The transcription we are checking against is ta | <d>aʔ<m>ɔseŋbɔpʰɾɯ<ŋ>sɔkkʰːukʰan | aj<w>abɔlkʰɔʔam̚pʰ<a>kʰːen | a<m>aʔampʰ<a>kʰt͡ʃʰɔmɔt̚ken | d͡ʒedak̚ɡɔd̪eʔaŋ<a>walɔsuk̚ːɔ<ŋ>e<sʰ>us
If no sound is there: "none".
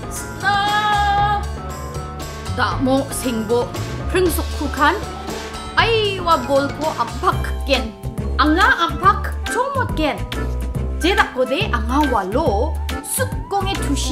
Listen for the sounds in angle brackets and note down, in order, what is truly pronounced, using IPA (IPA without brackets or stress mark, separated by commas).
d, m, ŋ, w, a, ŋ, a, a, ŋ, tʰ